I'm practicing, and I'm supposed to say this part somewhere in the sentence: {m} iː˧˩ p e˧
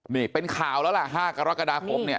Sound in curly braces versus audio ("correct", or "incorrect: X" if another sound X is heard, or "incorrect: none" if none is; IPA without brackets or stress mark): incorrect: n